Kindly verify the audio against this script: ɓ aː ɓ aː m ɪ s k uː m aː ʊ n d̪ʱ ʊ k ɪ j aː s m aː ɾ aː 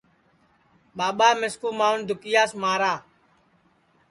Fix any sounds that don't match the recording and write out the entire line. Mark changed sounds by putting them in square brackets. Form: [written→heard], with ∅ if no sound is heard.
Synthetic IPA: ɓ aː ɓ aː m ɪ s k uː m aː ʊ n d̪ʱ ʊ k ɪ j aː s m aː ɾ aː